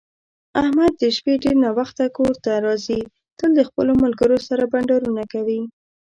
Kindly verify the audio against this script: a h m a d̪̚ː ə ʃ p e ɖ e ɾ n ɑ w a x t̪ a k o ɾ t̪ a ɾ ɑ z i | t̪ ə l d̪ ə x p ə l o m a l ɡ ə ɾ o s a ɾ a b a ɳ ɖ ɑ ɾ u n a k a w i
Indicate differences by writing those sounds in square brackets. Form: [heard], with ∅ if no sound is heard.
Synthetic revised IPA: a h m a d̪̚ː ə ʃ p e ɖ e ɾ n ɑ w a x t̪ a k o ɾ t̪ a ɾ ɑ z i | t̪ ə l d̪ ə x p ə l o m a l ɡ ə ɾ o s a ɾ a b a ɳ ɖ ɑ ɾ u n a k a w i